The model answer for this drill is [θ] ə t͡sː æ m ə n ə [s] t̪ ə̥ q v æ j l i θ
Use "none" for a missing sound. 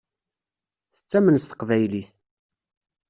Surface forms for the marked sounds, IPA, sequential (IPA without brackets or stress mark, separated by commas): θ, s